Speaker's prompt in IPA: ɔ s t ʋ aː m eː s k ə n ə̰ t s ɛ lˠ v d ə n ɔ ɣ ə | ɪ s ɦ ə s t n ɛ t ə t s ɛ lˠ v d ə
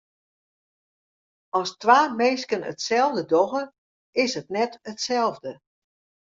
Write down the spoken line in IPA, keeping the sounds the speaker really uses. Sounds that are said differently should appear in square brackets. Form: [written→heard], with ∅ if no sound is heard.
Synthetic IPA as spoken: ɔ s t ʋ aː m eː s k ə n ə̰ t s ɛ lˠ v d ə [n→d] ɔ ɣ ə | ɪ s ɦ ə [s→∅] t n ɛ t ə t s ɛ lˠ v d ə